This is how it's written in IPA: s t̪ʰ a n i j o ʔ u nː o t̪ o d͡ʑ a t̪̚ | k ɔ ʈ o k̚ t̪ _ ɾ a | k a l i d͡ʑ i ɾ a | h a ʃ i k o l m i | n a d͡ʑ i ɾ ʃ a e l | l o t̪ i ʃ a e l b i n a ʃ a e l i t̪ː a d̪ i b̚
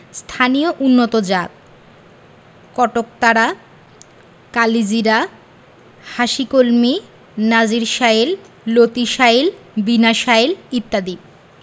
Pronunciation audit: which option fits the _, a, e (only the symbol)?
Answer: a